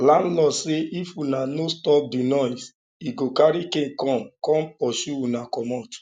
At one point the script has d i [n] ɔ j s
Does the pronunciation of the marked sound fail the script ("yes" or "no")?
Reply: no